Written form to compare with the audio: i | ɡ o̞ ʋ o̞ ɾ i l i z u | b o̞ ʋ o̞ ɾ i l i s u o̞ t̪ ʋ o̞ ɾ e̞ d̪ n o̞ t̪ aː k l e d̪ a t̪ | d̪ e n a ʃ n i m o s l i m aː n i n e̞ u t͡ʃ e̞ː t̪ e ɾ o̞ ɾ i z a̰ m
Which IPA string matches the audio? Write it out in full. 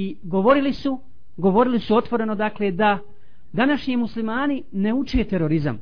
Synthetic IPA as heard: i | ɡ o̞ ʋ o̞ ɾ i l i s u | ɡ o̞ ʋ o̞ ɾ i l i s u o̞ t̪ ʋ o̞ ɾ e̞ n o̞ d̪ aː k l e d̪ a | d̪ a n a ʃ ɲ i m u s l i m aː n i n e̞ u t͡ʃ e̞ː t̪ e ɾ o̞ ɾ i z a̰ m